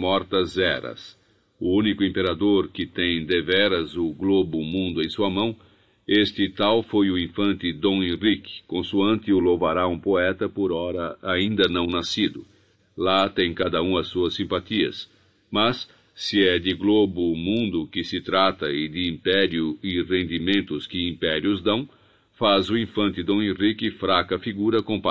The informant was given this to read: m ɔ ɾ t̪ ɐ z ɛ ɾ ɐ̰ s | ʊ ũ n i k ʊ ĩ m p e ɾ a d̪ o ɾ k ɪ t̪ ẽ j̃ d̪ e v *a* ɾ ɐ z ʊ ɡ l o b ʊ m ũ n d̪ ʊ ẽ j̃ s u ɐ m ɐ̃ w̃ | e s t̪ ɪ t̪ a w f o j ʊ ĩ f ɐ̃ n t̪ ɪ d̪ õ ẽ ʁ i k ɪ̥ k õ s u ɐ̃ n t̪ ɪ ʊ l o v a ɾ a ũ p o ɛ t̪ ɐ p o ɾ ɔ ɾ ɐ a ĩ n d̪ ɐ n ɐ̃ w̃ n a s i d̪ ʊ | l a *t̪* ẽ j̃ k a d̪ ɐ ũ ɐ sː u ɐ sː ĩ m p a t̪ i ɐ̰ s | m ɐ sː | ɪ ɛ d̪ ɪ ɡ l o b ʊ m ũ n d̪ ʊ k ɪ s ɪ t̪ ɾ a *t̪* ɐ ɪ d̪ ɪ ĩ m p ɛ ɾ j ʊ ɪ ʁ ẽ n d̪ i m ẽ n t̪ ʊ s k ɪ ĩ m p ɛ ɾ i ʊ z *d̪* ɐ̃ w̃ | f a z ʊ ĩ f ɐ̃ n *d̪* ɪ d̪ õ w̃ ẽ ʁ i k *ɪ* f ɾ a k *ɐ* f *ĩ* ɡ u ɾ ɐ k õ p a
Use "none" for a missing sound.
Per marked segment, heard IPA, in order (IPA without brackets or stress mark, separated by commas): ɛ, t̪, t̪, d̪, t̪, ɪ, ɐ, i